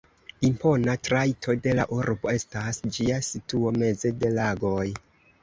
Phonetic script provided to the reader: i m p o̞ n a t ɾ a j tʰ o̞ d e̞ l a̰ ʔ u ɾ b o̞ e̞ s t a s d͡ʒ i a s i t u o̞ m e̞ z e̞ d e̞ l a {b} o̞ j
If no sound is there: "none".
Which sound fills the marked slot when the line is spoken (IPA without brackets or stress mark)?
ɡ